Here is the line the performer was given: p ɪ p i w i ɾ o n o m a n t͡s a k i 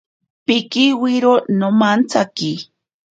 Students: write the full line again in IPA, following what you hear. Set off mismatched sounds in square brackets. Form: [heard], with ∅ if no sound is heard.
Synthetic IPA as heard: p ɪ [k] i w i ɾ o n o m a n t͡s a k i